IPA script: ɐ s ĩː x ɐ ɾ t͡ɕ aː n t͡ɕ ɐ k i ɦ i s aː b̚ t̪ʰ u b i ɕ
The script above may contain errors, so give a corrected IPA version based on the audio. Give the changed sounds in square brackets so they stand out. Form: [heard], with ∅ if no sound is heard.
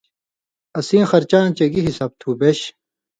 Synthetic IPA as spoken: ɐ s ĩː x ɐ ɾ t͡ɕ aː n t͡ɕ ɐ [ɡ] i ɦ i s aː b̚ t̪ʰ u b [e] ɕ